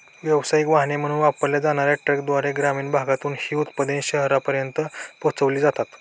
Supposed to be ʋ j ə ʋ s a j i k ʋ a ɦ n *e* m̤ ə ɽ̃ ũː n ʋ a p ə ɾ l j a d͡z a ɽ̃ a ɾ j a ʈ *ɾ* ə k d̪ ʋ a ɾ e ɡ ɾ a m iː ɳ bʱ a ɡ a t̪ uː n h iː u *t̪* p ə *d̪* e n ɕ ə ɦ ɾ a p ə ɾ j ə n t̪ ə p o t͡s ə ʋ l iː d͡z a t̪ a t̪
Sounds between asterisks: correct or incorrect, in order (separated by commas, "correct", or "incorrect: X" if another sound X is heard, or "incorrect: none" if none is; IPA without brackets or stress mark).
correct, correct, correct, correct